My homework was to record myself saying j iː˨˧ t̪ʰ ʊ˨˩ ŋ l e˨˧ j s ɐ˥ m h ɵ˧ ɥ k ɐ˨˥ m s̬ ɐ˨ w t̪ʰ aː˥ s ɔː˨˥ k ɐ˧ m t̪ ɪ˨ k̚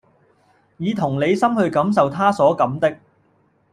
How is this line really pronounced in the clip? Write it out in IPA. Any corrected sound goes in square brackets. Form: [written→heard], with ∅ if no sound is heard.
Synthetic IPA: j iː˨˧ t̪ʰ ʊ˨˩ ŋ l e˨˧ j s ɐ˥ m h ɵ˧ ɥ k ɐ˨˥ m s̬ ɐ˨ w t̪ʰ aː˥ s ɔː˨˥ k [ɐ˧→ɐ˨˥] m t̪ [ɪ˨→ɪ˥] k̚